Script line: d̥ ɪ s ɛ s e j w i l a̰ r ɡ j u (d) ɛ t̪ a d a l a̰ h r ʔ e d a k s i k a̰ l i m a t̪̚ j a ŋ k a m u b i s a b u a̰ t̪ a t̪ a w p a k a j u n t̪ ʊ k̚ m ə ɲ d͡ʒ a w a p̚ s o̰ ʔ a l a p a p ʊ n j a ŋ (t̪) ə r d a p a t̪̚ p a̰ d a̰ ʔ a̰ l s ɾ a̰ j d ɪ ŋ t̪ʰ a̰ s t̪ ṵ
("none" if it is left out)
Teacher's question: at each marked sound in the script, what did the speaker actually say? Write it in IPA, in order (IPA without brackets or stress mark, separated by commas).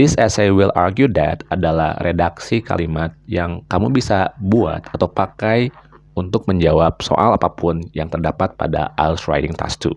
d, t̪